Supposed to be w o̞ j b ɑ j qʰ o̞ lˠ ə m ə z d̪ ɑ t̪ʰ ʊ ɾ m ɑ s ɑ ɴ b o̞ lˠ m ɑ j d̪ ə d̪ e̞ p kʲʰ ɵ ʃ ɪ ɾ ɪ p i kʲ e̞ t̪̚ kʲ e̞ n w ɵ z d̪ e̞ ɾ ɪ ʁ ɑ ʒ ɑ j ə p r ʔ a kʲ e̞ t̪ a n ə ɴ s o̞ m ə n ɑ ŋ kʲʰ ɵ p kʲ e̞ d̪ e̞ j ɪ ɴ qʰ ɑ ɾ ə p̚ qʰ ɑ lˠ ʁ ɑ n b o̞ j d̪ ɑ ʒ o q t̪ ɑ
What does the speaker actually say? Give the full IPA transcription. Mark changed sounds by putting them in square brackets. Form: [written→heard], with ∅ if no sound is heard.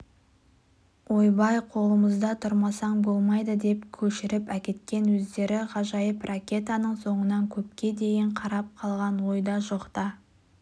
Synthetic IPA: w o̞ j b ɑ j qʰ o̞ lˠ ə m ə z d̪ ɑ t̪ʰ ʊ ɾ m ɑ s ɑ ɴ b o̞ lˠ m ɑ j d̪ ə d̪ e̞ p kʲʰ ɵ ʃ ɪ ɾ ɪ p [i→æ] kʲ e̞ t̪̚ kʲ e̞ n w ɵ z d̪ e̞ ɾ ɪ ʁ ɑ ʒ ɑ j ə p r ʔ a kʲ e̞ t̪ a n ə ɴ s o̞ [m→ɴ] ə n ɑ ŋ kʲʰ ɵ p kʲ e̞ d̪ e̞ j ɪ ɴ qʰ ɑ ɾ [ə→ɑ] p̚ qʰ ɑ lˠ ʁ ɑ n [b→w] o̞ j d̪ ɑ ʒ o q t̪ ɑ